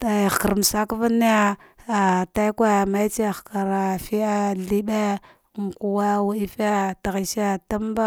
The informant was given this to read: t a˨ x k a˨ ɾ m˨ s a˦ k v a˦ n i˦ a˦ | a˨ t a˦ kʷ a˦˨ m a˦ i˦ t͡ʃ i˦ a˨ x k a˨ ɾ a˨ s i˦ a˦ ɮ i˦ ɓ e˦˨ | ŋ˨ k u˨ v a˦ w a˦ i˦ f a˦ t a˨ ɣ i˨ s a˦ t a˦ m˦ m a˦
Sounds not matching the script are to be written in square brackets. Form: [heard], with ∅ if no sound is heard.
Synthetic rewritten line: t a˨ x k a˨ ɾ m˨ s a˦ k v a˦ n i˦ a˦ | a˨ t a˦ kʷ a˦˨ m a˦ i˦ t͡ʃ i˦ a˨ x k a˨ ɾ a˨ [f] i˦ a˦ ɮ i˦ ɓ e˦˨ | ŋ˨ k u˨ [w] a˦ w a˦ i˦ f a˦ t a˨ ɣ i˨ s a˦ t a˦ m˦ [b] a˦